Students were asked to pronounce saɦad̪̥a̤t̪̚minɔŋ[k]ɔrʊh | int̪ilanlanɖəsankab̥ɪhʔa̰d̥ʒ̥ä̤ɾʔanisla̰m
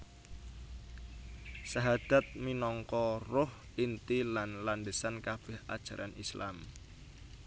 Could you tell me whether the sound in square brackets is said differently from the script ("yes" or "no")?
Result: no